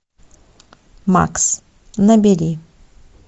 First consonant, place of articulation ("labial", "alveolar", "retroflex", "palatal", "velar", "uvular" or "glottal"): labial